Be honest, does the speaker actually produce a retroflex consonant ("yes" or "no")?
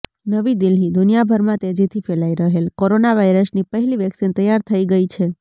no